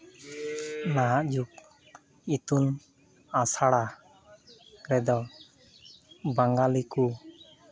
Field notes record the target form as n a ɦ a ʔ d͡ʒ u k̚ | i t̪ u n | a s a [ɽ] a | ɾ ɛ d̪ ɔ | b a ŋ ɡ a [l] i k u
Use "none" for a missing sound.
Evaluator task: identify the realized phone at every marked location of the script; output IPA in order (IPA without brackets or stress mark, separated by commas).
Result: ɽ, l